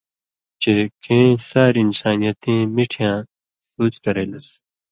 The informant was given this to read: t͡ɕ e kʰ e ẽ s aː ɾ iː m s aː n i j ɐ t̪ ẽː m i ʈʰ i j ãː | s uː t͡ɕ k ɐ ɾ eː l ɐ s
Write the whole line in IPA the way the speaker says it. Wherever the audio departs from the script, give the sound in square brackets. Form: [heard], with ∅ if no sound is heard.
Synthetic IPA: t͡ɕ e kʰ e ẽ s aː ɾ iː [n] s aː n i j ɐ t̪ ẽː m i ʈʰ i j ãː | s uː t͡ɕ k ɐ ɾ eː l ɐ s